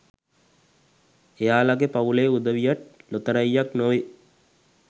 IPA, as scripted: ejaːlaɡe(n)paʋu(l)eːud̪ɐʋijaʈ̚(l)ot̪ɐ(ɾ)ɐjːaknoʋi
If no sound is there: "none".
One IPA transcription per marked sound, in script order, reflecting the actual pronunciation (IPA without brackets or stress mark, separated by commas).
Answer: none, l, l, ɾ